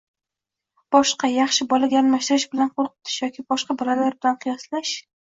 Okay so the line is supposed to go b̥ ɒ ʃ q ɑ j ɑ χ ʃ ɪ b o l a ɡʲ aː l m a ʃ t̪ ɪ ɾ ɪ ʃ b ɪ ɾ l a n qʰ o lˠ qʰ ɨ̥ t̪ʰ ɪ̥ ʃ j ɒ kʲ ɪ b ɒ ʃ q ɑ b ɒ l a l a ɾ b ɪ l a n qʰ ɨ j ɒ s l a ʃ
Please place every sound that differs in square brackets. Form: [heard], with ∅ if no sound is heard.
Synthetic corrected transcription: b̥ ɒ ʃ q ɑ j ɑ χ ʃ ɪ b [ɒ] l a ɡʲ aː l m a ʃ t̪ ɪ ɾ ɪ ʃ b ɪ [∅] l a n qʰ o lˠ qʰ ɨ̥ t̪ʰ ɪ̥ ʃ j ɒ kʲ ɪ b ɒ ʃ q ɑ b ɒ l a l a ɾ b ɪ l a n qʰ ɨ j ɒ s l a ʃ